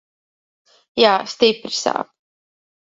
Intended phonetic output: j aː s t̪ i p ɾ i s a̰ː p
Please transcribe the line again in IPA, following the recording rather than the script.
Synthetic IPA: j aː s t̪ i p ɾ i s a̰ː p

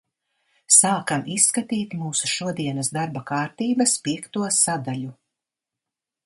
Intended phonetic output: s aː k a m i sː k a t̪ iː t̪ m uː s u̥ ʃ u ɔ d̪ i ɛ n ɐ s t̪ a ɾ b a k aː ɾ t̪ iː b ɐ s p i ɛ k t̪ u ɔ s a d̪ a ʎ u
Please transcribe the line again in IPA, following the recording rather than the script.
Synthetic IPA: s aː k a m i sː k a t̪ iː t̪ m uː s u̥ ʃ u ɔ d̪ i ɛ n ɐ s d̪ a ɾ b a k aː ɾ t̪ iː b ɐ s p i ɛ k t̪ u ɔ s a d̪ a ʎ u

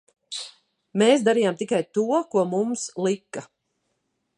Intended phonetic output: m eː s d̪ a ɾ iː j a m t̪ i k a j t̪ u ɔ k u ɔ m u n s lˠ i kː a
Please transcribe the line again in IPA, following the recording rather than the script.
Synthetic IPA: m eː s d̪ a ɾ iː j a m t̪ i k a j t̪ u ɔ k u ɔ m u m s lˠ i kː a

